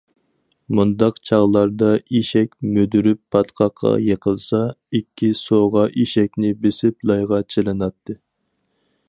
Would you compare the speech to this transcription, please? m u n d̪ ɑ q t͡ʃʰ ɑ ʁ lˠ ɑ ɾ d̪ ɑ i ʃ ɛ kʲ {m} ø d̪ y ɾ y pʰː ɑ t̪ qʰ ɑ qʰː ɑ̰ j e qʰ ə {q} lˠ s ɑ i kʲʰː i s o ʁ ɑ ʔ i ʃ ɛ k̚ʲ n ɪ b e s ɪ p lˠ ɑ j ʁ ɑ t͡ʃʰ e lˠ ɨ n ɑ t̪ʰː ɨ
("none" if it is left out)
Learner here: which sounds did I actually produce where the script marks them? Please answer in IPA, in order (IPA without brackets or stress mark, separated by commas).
m, none